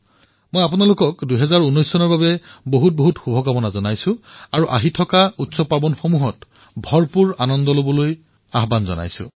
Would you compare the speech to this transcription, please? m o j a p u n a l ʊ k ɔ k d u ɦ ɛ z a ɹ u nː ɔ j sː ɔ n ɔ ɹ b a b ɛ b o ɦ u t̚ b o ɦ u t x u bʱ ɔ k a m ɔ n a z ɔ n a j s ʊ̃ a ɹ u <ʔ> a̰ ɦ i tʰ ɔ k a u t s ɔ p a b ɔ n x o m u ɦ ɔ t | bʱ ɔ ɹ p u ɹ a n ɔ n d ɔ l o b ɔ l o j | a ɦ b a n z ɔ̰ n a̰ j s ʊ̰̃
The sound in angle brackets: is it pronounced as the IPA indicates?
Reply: yes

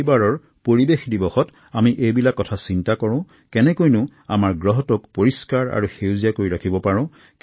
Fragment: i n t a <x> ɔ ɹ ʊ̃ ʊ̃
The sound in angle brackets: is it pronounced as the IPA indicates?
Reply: no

